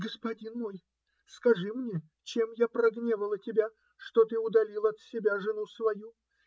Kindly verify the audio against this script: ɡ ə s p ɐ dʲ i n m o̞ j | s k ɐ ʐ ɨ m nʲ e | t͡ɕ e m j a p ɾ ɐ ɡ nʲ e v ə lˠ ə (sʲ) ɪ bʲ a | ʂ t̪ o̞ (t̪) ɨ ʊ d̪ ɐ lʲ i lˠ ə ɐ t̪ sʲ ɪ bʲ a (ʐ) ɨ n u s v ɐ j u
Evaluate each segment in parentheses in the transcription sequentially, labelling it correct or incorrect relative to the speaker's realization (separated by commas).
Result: incorrect, correct, correct